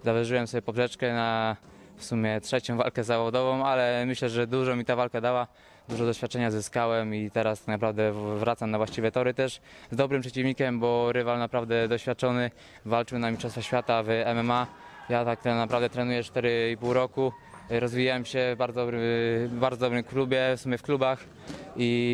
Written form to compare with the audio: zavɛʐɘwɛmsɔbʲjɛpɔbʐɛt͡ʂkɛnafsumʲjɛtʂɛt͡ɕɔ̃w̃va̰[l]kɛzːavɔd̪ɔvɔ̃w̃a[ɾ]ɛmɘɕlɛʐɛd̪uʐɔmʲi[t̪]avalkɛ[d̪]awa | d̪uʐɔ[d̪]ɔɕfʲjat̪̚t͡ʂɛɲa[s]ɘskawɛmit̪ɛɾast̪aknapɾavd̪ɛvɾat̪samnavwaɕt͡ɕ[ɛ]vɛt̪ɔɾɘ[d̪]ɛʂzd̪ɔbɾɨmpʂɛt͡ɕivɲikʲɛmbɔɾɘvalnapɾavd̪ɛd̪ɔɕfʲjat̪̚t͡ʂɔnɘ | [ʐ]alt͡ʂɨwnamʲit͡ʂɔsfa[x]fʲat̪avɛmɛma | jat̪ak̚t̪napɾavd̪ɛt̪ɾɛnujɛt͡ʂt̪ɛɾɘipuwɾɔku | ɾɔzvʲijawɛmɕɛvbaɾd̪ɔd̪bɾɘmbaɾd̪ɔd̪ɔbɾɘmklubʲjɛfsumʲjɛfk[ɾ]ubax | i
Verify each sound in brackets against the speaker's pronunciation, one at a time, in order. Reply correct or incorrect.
correct, incorrect, correct, correct, correct, incorrect, incorrect, incorrect, incorrect, incorrect, incorrect

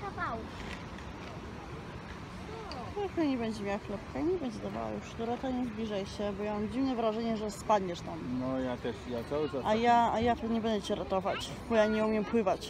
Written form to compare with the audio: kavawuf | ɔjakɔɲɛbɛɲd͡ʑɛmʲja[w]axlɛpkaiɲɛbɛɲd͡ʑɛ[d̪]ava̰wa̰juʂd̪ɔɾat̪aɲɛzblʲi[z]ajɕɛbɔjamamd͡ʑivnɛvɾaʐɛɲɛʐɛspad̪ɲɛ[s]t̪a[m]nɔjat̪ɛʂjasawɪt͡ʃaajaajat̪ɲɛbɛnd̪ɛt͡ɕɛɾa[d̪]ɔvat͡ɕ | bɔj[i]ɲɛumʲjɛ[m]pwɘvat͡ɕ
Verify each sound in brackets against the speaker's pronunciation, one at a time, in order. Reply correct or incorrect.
correct, correct, incorrect, incorrect, correct, incorrect, incorrect, correct

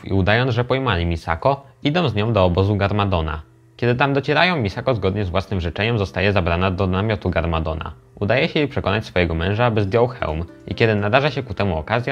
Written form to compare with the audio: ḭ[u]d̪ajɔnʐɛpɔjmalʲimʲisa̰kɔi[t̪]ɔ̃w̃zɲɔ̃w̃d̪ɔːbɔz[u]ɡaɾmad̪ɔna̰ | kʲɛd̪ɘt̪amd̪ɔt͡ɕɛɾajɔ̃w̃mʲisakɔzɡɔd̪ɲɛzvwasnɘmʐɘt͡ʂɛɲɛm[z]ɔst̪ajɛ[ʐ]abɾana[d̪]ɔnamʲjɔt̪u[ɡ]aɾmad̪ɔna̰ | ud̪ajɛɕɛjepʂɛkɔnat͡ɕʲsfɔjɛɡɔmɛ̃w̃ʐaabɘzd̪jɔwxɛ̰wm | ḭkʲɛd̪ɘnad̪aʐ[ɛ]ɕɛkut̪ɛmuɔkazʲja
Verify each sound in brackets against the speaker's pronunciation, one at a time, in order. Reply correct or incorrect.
correct, incorrect, correct, correct, incorrect, correct, correct, incorrect

